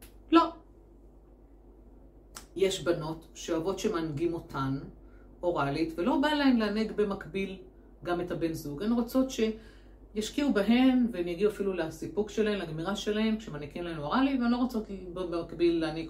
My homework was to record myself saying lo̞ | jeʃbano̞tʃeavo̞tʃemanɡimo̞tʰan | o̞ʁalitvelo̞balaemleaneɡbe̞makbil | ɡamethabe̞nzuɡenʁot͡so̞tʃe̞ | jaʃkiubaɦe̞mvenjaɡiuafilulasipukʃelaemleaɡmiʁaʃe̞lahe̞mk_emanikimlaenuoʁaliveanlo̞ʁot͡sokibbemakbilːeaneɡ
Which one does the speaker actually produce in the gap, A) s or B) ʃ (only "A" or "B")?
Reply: B